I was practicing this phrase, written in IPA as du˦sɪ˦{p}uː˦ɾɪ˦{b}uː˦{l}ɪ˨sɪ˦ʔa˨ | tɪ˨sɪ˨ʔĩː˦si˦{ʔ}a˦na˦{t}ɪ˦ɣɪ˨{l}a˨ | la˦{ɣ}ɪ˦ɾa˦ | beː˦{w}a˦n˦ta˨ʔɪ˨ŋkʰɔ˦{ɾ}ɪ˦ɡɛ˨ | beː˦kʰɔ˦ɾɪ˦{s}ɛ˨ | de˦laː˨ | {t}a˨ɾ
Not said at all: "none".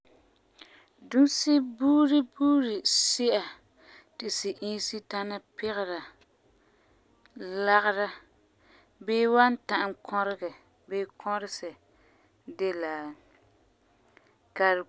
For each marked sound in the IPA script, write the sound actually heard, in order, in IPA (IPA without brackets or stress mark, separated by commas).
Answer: b, b, ɾ, t, p, ɾ, ɣ, w, ɾ, s, k